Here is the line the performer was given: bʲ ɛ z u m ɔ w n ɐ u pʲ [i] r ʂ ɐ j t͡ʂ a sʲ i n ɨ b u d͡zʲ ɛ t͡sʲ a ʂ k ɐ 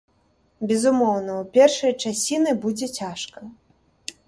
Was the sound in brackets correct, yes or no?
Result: no